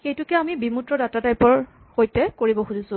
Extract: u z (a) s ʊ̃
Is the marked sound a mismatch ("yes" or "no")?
yes